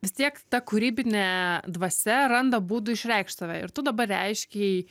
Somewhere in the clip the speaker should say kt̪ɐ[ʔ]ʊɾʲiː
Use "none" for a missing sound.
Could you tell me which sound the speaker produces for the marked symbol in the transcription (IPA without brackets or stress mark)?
k